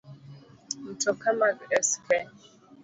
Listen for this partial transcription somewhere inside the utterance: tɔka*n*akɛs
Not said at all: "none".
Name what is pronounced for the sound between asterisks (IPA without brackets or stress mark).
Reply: m